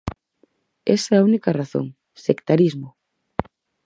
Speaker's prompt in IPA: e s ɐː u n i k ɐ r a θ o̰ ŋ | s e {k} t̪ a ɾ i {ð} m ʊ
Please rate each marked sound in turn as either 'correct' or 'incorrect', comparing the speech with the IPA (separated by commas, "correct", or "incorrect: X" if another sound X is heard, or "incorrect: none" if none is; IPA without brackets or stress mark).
correct, incorrect: z